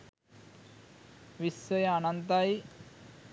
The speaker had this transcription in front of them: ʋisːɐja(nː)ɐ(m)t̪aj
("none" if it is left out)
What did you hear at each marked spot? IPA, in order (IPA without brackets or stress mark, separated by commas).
n, n